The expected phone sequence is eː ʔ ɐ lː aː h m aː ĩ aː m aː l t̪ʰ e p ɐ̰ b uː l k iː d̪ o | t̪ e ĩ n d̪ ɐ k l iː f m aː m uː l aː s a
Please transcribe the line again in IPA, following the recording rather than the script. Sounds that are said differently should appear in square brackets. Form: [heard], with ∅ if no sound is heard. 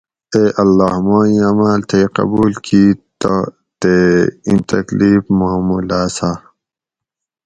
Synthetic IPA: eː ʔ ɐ lː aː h m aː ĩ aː m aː l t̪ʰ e [q] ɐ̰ b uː l k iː [t̪] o | t̪ e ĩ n [t̪] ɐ k l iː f m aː m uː l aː s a